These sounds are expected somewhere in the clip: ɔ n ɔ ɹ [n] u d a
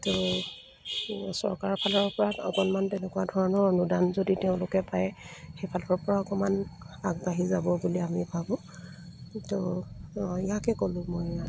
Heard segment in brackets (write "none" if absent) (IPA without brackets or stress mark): n